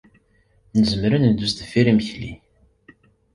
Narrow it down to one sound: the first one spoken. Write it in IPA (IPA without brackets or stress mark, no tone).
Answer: n